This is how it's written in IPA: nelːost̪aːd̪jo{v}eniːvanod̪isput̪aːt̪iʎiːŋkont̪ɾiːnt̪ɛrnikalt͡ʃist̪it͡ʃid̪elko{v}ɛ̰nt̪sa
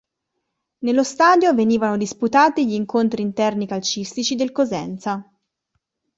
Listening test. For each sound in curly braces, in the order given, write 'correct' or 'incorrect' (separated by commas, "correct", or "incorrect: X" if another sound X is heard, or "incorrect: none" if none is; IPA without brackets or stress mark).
correct, incorrect: z